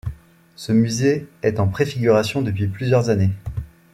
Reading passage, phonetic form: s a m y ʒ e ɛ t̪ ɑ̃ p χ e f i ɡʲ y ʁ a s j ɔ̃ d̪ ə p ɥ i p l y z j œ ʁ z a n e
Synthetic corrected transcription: s ə m y z e ɛ t̪ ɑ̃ p χ e f i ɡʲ y ʁ a s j ɔ̃ d̪ ə p ɥ i p l y z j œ ʁ z a n e